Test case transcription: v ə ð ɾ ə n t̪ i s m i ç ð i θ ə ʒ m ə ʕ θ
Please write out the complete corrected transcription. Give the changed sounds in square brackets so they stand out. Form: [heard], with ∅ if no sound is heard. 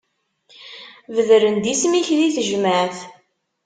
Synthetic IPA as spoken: v ə ð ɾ ə n [d̪] i s m i ç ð i θ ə ʒ m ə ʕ θ